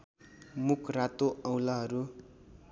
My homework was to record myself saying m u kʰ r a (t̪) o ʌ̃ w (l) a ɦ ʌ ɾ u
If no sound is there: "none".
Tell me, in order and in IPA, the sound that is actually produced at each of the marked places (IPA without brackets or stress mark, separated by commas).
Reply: t̪, l